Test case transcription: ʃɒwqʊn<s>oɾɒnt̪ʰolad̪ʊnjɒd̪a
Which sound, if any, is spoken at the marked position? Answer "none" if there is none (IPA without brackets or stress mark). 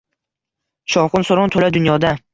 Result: s